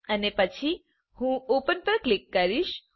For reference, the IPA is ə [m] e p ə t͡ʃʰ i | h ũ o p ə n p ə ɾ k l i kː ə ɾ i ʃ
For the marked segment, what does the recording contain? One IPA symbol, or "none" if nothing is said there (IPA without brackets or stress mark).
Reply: n